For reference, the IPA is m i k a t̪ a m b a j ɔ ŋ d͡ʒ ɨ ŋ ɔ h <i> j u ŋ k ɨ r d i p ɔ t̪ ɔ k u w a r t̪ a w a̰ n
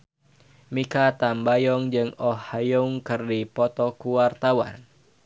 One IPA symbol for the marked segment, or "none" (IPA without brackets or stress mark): a